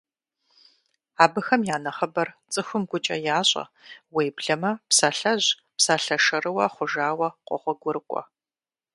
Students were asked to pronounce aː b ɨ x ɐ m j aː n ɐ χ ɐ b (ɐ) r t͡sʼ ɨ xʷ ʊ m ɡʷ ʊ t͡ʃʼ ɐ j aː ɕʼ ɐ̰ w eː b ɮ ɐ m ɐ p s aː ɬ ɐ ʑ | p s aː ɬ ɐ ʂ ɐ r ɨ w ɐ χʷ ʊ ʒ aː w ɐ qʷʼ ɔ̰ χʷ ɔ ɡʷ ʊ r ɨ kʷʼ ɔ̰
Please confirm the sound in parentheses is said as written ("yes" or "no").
yes